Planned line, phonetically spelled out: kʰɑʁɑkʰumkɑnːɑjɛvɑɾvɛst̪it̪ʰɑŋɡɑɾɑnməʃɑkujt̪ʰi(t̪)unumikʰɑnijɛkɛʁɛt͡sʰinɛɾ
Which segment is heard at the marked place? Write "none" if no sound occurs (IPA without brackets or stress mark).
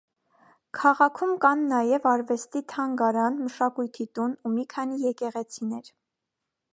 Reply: t̪